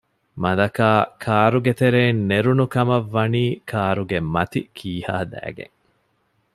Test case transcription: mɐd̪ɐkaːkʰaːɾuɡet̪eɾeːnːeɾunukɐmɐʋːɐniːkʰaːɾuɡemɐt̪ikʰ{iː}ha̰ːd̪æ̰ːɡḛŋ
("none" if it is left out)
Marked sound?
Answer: iː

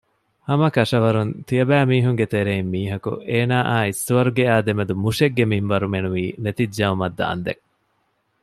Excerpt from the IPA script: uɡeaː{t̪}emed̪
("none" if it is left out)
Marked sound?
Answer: d̪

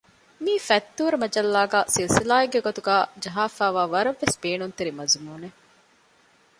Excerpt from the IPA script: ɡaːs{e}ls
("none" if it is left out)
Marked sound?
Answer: i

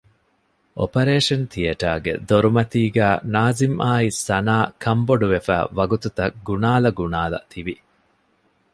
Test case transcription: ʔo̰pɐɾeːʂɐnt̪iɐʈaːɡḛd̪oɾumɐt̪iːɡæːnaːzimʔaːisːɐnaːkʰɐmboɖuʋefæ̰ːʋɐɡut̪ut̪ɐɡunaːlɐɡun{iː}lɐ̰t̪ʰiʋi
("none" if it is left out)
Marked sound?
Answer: aː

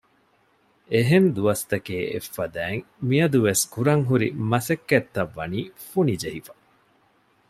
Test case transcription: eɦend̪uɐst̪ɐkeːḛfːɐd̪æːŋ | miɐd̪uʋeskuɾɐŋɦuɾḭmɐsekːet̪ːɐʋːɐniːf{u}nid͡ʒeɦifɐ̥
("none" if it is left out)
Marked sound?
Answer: u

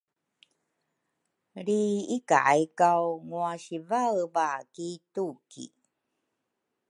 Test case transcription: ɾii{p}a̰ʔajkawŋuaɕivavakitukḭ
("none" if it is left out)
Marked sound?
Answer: k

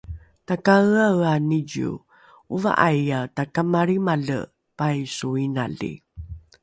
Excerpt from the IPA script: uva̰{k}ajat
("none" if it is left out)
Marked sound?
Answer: ʔ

